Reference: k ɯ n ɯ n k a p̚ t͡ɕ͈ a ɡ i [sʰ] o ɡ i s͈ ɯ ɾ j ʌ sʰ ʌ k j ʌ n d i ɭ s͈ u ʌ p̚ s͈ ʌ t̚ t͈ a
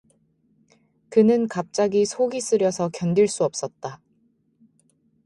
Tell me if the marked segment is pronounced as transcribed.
yes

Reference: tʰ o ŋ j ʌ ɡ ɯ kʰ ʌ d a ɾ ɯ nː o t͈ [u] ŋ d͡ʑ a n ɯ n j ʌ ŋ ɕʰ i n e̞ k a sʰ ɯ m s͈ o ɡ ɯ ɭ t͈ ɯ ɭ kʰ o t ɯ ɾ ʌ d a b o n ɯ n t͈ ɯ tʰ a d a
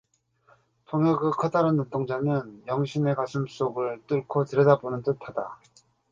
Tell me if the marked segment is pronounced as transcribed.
no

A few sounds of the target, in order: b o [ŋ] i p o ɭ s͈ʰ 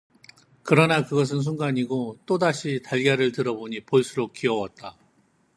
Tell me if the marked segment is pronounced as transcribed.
no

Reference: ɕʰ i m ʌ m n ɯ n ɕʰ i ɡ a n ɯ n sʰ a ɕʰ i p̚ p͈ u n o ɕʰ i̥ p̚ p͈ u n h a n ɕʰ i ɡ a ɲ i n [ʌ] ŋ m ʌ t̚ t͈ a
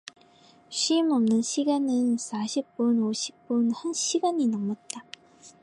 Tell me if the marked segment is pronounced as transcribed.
yes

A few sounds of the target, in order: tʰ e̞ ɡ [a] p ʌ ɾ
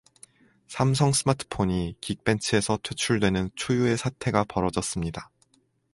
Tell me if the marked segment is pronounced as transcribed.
yes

